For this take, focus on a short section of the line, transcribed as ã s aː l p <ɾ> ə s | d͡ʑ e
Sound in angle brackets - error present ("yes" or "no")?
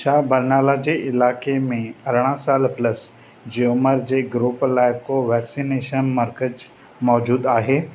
yes